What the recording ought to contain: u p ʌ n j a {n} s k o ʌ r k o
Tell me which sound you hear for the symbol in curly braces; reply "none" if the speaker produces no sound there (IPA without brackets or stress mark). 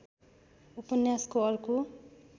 none